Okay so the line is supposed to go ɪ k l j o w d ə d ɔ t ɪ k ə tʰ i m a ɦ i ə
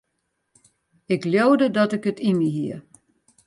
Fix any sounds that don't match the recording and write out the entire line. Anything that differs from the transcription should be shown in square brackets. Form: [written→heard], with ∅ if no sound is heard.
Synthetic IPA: ɪ k l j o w d ə d ɔ t ɪ k ə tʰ i m [a→i] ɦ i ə